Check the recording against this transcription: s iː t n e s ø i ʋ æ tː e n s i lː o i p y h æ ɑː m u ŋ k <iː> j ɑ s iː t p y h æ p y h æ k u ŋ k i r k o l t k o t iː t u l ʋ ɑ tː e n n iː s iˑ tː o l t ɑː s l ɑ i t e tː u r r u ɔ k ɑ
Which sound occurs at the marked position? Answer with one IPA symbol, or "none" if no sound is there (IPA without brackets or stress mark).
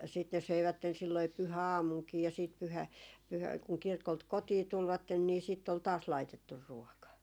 iː